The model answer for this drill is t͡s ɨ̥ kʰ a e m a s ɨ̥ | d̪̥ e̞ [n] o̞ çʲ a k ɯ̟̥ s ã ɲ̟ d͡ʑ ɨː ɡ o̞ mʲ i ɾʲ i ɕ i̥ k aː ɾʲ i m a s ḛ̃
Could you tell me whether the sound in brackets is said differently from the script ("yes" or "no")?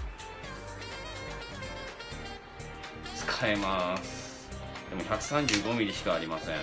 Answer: yes